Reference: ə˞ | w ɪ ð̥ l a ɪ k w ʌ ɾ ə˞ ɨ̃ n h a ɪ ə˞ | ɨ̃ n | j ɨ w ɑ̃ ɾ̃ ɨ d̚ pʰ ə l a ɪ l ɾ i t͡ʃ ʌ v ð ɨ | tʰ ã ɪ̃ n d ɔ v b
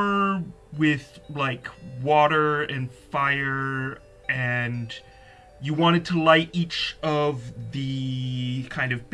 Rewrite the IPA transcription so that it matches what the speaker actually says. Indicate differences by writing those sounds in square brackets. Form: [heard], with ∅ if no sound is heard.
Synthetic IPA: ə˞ | w ɪ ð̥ l a ɪ k w [ɔ] ɾ ə˞ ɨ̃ n [f] a ɪ ə˞ | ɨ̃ n | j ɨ w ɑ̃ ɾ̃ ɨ d̚ [tʰ] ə l a ɪ [∅] ɾ i t͡ʃ ʌ v ð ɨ | [kʰ] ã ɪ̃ n d [ʌ] v b